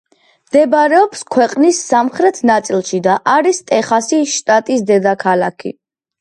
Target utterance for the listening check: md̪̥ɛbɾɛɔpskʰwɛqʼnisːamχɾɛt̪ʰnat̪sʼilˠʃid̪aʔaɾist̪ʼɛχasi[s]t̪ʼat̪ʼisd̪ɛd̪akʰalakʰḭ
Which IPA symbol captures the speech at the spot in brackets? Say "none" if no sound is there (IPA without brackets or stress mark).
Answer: ʃ